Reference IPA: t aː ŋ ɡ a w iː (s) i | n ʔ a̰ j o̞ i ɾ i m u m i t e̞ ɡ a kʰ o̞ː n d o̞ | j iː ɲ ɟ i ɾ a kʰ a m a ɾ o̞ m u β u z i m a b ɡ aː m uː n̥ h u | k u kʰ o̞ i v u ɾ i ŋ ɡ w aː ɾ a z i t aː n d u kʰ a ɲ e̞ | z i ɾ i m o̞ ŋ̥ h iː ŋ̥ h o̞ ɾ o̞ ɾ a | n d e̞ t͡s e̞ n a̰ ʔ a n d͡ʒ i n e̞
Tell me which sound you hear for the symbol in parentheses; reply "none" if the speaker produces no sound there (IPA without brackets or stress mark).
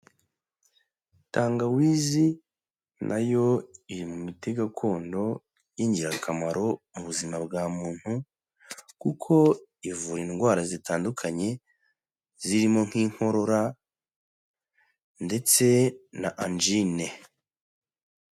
z